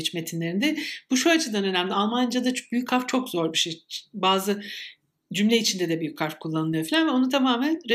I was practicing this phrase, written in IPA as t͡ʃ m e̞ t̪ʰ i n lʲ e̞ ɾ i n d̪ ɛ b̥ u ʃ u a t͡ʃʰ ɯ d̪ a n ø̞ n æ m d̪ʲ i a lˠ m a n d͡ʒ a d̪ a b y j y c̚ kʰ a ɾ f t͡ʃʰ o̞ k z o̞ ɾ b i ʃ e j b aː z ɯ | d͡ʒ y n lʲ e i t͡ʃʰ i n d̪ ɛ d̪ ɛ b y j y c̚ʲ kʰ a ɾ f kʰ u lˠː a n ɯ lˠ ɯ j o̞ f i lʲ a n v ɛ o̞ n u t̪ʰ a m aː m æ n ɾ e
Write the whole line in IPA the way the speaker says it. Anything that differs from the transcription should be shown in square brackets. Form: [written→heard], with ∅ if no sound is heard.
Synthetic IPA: t͡ʃ m e̞ t̪ʰ i n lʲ e̞ ɾ i n d̪ ɛ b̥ u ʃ u a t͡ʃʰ ɯ d̪ a n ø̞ n æ m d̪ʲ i a lˠ m a n d͡ʒ a d̪ a b y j y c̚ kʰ a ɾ f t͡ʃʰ o̞ k z o̞ ɾ b i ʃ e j b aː z ɯ | d͡ʒ y [n→m] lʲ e i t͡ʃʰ i n d̪ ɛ d̪ ɛ b y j y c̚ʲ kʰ a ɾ f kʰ u lˠː a n ɯ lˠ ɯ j o̞ f i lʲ a n v ɛ o̞ n u t̪ʰ a m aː m æ n ɾ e